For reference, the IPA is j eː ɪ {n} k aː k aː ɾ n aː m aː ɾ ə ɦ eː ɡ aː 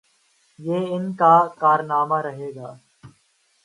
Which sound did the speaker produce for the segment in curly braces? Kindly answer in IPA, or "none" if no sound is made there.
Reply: n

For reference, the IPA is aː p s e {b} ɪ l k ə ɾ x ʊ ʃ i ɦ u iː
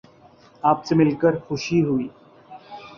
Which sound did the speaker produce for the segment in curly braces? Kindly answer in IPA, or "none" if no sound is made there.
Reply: m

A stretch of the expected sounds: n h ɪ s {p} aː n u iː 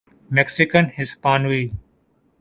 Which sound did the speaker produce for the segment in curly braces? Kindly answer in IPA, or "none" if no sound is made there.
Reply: p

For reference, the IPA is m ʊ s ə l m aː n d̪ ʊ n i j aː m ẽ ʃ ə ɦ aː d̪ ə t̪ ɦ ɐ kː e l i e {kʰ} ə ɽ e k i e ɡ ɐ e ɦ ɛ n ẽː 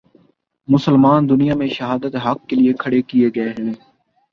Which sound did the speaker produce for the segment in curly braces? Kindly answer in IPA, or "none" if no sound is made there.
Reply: kʰ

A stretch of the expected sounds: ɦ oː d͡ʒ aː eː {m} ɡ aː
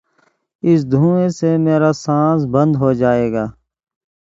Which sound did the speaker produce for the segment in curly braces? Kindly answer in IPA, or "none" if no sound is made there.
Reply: none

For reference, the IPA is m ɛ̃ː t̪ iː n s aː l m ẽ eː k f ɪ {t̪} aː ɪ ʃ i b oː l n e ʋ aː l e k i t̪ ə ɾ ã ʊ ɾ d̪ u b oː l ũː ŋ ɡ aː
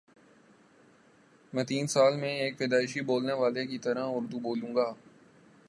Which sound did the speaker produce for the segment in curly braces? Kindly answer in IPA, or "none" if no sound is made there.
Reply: d̪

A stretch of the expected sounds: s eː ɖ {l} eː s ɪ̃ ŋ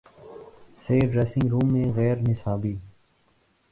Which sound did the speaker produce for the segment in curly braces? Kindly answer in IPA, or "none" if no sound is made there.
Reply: ɾ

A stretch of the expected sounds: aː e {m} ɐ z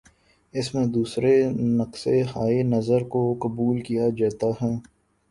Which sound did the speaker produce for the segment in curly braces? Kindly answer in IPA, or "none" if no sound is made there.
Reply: n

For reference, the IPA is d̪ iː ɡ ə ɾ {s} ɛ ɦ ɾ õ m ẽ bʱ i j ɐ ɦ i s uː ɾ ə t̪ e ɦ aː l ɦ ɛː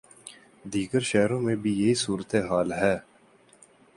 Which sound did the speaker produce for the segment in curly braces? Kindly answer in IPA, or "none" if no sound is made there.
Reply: ʃ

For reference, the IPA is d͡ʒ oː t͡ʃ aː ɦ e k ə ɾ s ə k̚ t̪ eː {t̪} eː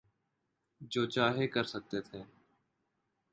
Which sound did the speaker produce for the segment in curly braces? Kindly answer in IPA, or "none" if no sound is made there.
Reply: t̪ʰ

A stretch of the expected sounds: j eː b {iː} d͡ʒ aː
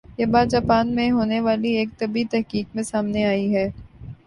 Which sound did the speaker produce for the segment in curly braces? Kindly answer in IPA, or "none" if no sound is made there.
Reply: aː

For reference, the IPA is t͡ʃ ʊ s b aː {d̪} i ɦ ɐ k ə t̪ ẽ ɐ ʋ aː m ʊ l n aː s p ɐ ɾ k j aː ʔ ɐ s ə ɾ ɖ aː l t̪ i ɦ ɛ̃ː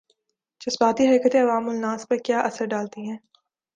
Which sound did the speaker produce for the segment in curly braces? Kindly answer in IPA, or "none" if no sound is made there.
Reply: t̪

